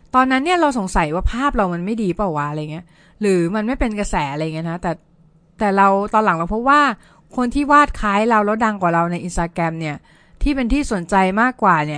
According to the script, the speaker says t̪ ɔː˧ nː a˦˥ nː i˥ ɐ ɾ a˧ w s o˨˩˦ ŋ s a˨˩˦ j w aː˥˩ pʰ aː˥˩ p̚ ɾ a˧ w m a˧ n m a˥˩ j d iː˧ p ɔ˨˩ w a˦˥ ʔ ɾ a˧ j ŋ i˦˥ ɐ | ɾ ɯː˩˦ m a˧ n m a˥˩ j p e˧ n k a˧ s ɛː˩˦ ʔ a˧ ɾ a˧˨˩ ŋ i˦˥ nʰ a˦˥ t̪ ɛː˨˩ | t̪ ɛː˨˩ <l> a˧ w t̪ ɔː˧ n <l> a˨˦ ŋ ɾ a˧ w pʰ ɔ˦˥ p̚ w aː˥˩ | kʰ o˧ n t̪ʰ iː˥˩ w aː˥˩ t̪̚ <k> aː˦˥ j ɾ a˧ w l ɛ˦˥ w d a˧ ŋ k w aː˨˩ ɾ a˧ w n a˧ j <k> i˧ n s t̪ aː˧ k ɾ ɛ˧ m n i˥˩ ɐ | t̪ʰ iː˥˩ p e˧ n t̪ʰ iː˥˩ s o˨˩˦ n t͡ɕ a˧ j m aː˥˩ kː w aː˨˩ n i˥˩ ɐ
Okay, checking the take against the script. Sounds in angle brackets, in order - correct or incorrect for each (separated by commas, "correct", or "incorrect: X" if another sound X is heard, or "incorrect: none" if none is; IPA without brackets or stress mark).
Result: incorrect: ɾ, correct, incorrect: kʰ, incorrect: ʔ